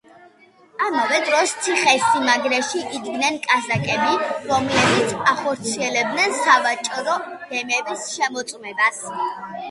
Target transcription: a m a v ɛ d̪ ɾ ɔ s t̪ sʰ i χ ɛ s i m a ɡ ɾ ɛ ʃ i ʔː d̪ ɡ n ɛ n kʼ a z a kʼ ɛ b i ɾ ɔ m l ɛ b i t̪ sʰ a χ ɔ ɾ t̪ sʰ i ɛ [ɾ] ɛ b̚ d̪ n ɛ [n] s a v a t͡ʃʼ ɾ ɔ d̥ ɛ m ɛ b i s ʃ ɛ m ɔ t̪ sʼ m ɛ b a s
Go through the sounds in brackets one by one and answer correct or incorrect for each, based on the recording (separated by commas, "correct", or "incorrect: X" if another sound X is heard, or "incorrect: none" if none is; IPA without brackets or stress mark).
incorrect: l, correct